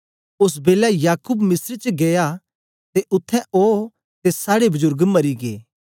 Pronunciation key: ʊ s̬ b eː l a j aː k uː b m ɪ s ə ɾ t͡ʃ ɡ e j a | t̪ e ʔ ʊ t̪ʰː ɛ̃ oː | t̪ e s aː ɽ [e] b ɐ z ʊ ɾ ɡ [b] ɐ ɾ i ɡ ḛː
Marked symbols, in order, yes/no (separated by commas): yes, no